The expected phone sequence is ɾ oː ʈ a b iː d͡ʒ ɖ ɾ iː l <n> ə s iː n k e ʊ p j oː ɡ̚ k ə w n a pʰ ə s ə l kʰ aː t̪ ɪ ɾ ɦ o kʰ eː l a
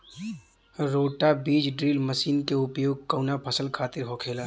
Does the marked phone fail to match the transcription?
yes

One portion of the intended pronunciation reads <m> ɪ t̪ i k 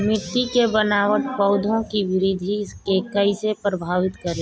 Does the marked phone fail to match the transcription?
no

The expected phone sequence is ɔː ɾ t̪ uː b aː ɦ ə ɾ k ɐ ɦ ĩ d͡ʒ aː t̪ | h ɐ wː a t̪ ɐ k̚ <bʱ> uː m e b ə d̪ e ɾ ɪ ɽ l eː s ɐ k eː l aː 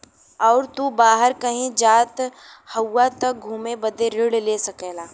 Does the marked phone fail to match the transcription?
yes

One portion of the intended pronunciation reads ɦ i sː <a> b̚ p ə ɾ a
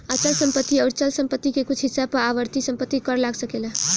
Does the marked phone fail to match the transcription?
no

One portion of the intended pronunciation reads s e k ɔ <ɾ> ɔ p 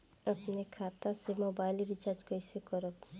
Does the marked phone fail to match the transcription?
no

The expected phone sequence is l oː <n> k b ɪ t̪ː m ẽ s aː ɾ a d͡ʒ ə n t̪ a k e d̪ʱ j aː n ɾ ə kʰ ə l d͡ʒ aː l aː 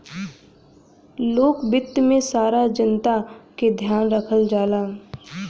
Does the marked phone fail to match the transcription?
yes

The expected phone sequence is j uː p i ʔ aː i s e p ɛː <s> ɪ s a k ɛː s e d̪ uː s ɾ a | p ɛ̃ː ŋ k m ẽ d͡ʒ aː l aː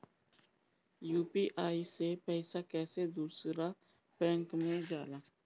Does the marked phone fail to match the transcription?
yes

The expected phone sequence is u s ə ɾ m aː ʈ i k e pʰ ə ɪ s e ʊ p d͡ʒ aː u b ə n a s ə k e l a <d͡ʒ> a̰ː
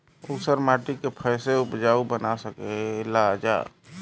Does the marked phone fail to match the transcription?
no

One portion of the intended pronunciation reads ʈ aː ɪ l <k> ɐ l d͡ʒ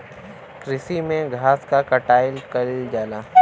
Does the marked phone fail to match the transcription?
no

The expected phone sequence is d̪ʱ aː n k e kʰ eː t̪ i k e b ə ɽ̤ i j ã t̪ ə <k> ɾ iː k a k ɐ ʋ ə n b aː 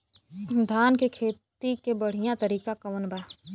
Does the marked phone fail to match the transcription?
yes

